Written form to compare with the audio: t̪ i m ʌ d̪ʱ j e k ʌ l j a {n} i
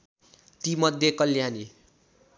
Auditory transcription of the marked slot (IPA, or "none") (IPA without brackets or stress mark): n